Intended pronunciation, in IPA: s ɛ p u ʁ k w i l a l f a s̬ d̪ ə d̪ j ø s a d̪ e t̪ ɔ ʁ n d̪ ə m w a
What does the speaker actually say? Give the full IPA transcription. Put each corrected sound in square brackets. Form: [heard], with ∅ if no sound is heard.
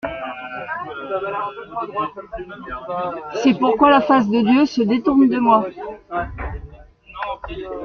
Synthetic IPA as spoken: s ɛ p u ʁ k w [a] l a [∅] f a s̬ d̪ ə d̪ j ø s [ə] d̪ e t̪ [u] ʁ n d̪ ə m w a